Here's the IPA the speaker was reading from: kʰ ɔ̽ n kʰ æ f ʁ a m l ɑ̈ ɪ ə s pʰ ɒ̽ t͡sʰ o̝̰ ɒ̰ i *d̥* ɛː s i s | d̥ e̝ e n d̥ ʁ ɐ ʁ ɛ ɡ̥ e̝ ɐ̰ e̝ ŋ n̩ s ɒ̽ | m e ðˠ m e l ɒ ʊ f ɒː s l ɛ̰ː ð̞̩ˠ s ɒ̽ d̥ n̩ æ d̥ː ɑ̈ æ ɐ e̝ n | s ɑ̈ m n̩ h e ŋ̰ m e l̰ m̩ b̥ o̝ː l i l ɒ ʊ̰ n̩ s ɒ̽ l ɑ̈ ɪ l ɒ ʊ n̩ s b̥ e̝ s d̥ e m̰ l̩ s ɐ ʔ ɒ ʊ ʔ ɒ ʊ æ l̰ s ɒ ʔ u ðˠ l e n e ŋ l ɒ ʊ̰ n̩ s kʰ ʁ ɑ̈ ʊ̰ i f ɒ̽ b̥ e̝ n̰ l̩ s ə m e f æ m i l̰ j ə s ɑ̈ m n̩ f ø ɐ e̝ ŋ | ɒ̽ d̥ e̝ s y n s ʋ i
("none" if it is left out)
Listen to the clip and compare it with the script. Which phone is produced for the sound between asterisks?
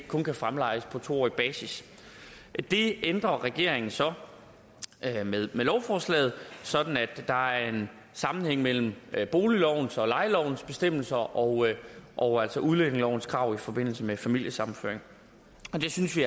b̥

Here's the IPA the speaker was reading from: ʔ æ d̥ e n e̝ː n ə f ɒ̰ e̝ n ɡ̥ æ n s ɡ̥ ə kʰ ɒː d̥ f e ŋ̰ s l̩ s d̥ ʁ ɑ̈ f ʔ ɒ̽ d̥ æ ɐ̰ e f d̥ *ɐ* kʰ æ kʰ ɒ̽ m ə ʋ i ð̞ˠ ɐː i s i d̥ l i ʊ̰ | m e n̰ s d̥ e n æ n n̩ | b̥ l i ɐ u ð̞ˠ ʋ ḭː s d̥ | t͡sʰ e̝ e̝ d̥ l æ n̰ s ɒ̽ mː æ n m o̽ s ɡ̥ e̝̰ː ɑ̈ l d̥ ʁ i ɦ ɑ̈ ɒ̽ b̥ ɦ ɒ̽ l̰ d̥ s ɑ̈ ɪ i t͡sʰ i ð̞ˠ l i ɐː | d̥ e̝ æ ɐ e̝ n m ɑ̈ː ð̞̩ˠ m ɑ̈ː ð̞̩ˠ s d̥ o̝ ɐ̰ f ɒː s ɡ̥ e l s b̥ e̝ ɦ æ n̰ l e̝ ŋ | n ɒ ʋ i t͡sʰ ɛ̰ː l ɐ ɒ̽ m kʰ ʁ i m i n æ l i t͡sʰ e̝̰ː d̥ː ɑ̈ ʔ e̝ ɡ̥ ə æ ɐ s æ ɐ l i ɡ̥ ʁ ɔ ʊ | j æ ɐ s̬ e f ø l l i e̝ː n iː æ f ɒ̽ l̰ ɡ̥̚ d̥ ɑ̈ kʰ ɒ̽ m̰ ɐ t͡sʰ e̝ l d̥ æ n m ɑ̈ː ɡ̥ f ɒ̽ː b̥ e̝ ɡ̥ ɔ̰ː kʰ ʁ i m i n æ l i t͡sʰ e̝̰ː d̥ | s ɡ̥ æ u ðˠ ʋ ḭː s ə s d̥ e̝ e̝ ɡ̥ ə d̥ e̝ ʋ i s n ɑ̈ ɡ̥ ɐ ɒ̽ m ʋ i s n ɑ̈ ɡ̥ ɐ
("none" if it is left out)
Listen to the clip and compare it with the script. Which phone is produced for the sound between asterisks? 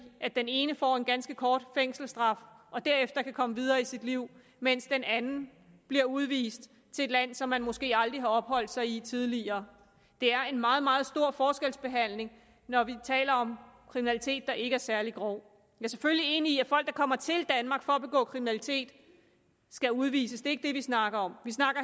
ɐ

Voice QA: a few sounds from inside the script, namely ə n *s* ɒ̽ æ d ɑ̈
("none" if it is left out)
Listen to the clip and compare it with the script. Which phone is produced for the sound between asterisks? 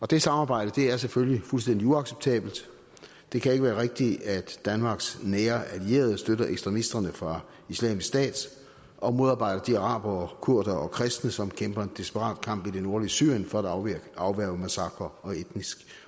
f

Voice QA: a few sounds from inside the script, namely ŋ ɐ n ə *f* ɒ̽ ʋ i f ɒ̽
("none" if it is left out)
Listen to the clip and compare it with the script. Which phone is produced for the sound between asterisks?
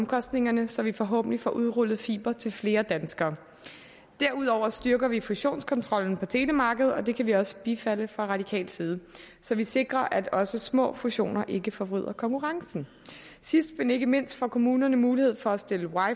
s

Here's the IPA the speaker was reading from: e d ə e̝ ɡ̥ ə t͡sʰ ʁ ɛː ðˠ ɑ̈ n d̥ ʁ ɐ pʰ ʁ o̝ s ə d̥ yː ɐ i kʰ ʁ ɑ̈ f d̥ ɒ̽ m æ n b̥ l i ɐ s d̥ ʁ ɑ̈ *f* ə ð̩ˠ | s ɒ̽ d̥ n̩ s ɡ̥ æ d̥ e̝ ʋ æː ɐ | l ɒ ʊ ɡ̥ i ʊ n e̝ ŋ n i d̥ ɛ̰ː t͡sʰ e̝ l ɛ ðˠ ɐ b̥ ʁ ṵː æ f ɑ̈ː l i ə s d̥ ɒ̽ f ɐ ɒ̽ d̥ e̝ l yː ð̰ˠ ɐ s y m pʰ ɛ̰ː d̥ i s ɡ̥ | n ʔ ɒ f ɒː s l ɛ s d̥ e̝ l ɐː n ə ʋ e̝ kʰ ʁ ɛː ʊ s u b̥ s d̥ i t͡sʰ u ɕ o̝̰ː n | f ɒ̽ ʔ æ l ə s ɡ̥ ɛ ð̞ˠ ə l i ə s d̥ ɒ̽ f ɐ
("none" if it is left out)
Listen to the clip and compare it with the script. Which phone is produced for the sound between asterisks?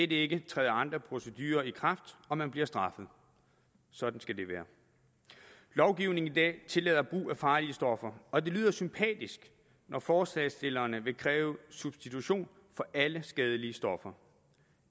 f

